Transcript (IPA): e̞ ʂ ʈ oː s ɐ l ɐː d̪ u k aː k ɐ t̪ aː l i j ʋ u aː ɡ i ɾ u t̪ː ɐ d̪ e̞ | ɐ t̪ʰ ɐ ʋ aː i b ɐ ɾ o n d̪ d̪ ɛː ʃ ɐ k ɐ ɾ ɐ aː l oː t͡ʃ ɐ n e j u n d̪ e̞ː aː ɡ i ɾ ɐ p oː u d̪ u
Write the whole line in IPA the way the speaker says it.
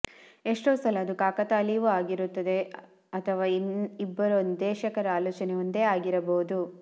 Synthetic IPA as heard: e̞ ʂ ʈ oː s ɐ l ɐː d̪ u k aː k ɐ t̪ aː l i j ʋ u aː ɡ i ɾ u t̪ː ɐ d̪ e̞ | ɐ t̪ʰ ɐ ʋ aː i bː ɐ ɾ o n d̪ d̪ ɛː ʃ ɐ k ɐ ɾ ɐ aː l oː t͡ʃ ɐ n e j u n d̪ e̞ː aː ɡ i ɾ ɐ b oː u d̪ u

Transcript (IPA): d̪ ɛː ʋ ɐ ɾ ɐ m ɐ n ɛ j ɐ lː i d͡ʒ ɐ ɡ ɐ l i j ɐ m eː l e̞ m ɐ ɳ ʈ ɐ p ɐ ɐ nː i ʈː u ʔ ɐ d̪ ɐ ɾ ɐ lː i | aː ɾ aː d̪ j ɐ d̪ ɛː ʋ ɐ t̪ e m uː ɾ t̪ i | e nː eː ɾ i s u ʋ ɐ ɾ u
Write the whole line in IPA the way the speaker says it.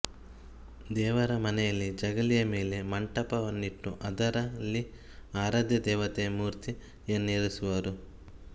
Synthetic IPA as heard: d̪ ɛː ʋ ɐ ɾ ɐ m ɐ n ɛ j ɐ lː i d͡ʒ ɐ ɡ ɐ l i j ɐ m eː l e̞ m ɐ ɳ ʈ ɐ p ɐ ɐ nː i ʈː u ʔ ɐ d̪ ɐ ɾ ɐ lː i | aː ɾ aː d̪ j ɐ d̪ ɛː ʋ ɐ t̪ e m uː ɾ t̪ i | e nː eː ɾ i s u ʋ ɐ ɾ u

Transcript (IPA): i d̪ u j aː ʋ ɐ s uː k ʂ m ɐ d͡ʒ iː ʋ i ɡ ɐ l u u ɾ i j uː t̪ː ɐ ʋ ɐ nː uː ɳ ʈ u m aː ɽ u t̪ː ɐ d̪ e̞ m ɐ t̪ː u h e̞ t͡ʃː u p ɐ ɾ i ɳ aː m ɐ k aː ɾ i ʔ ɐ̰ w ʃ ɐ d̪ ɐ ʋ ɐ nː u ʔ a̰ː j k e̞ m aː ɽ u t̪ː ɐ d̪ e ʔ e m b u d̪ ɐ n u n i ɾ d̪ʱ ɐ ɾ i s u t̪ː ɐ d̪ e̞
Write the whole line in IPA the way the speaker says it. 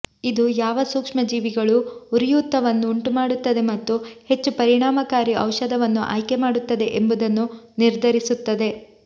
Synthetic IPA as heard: i d̪ u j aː ʋ ɐ s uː k ʂ m ɐ d͡ʒ iː ʋ i ɡ ɐ ɭ u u ɾ i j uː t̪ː ɐ ʋ ɐ nː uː ɳ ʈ u m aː ɽ u t̪ː ɐ d̪ e̞ m ɐ t̪ː u h e̞ t͡ʃː u p ɐ ɾ i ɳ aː m ɐ k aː ɾ i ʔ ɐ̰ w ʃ ɐ d̪ ɐ ʋ ɐ nː u ʔ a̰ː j k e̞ m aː ɽ u t̪ː ɐ d̪ e ʔ e m b u d̪ ɐ nː u n i ɾ d̪ʱ ɐ ɾ i s u t̪ː ɐ d̪ e̞

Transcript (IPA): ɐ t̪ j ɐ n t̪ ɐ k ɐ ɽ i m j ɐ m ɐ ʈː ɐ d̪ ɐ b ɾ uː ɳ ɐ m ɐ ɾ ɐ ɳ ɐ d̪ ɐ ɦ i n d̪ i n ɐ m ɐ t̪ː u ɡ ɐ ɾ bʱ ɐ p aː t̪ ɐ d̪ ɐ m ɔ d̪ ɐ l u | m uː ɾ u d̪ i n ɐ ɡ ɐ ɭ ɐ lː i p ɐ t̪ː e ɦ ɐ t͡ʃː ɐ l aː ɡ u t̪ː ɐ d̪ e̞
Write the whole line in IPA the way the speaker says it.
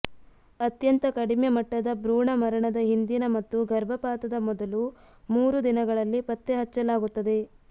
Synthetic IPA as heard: ɐ t̪ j ɐ n t̪ ɐ k ɐ ɽ i m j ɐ m ɐ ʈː ɐ d̪ ɐ b ɾ uː ɳ ɐ m ɐ ɾ ɐ ɳ ɐ d̪ ɐ ɦ i n d̪ i n ɐ m ɐ t̪ː u ɡ ɐ ɾ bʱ ɐ p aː t̪ ɐ d̪ ɐ m ɔ d̪ ɐ l u | m uː ɾ u d̪ i n ɐ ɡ ɐ ɭ ɐ lː i p ɐ t̪ː e ɦ ɐ t͡ʃː ɐ l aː ɡ u t̪ː ɐ d̪ e̞

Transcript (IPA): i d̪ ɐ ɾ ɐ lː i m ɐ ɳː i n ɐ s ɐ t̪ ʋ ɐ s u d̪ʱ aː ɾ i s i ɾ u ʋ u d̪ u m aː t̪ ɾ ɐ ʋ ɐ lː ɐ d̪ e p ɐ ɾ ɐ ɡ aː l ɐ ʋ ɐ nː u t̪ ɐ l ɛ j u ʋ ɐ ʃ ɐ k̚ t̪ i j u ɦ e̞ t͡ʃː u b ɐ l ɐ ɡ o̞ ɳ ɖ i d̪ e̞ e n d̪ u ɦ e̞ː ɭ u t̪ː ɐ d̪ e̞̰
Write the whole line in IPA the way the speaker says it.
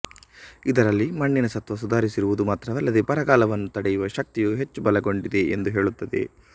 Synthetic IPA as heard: i d̪ ɐ ɾ ɐ lː i m ɐ ɳː i n ɐ s ɐ t̪ ʋ ɐ s u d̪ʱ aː ɾ i s i ɾ u ʋ u d̪ u m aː t̪ ɾ ɐ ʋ ɐ lː ɐ d̪ e p ɐ ɾ ɐ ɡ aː l ɐ ʋ ɐ nː u t̪ ɐ ɽ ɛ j u ʋ ɐ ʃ ɐ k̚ t̪ i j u ɦ e̞ t͡ʃː u b ɐ l ɐ ɡ o̞ ɳ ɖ i d̪ e̞ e n d̪ u ɦ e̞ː ɭ u t̪ː ɐ d̪ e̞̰

